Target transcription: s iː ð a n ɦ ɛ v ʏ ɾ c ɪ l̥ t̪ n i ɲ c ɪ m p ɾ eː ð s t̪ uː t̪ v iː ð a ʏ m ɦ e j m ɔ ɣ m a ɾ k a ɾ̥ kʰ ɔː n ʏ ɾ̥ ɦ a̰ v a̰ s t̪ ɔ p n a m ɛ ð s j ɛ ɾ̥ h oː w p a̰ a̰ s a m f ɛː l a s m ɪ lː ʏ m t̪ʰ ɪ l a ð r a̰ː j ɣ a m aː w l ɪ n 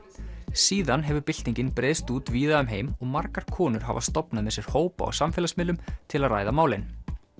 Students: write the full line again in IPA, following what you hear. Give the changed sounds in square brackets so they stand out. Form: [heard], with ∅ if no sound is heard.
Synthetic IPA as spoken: s iː ð a n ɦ ɛ v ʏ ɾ [p] ɪ l̥ t̪ n i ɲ c ɪ [n] p ɾ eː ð s t̪ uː t̪ v iː ð a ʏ m ɦ e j m ɔ ɣ m a ɾ k a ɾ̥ kʰ ɔː n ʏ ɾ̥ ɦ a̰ v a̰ s t̪ ɔ p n a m ɛ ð s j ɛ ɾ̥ h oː w p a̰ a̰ s a m f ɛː l a s m ɪ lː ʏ m t̪ʰ ɪ l a ð r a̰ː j [ð] a m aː w l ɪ n